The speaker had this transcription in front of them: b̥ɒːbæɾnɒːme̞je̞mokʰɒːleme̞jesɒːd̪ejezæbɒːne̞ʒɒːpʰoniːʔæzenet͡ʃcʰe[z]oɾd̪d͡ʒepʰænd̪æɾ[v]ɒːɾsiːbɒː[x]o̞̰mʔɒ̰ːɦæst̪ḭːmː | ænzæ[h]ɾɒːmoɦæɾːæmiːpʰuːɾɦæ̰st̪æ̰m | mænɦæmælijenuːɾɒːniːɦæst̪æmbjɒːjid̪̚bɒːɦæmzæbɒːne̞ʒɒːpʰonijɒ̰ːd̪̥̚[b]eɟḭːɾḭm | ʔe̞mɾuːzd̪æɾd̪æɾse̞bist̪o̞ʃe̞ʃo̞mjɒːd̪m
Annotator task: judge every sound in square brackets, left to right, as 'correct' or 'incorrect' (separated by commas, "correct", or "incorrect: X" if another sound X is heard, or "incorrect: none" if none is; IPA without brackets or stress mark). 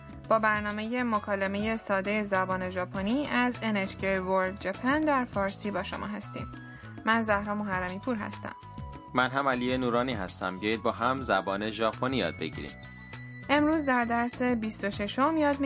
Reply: incorrect: v, incorrect: f, incorrect: ʃ, correct, correct